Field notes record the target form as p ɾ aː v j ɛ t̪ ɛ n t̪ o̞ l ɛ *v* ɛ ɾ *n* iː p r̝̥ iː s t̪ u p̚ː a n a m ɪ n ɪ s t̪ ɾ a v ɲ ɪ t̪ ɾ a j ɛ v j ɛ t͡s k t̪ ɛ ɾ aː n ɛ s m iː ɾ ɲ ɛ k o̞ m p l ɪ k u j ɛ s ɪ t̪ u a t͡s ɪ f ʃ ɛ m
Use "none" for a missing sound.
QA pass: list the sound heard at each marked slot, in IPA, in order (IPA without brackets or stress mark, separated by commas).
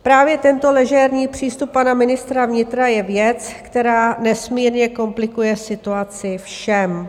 ʒ, ɲ